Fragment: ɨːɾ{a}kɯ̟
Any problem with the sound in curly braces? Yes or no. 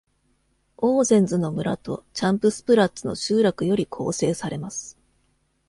no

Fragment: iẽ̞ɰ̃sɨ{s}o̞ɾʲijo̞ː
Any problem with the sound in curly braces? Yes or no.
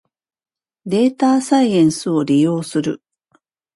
yes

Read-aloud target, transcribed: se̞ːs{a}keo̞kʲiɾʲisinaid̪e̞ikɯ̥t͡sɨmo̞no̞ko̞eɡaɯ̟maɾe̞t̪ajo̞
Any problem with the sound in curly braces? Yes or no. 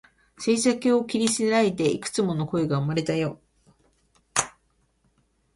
no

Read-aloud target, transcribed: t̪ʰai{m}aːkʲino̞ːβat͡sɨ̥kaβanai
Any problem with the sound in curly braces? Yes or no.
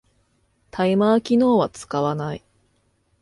no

